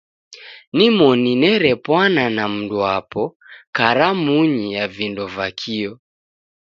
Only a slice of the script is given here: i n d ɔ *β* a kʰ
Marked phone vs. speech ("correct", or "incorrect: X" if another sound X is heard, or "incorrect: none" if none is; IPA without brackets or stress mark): incorrect: v